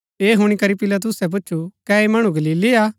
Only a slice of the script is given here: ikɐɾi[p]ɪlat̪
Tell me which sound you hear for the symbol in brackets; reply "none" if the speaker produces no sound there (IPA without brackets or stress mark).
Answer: p